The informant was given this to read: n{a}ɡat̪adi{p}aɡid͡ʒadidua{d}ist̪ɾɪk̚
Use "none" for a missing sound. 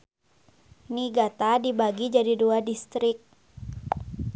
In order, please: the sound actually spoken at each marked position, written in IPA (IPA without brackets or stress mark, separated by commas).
i, b, d